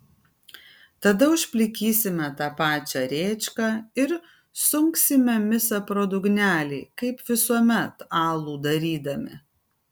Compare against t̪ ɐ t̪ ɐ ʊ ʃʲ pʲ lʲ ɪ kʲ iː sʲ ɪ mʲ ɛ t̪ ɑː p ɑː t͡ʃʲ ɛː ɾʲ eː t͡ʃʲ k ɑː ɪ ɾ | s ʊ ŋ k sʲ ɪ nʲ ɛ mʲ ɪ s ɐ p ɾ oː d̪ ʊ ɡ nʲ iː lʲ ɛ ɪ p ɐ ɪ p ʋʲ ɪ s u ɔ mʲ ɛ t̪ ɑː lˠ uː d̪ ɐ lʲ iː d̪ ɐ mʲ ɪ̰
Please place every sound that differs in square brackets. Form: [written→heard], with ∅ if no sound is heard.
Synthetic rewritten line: t̪ ɐ [t̪→d̪] ɐ ʊ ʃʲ pʲ lʲ ɪ kʲ iː sʲ ɪ mʲ ɛ t̪ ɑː p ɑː t͡ʃʲ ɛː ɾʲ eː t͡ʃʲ k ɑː ɪ ɾ | s ʊ ŋ k sʲ ɪ [nʲ→mʲ] ɛ mʲ ɪ s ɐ p ɾ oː d̪ ʊ ɡ nʲ [iː→æː] lʲ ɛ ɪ [p→k] ɐ ɪ p ʋʲ ɪ s u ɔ mʲ ɛ t̪ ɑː lˠ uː d̪ ɐ [lʲ→ɾʲ] iː d̪ ɐ mʲ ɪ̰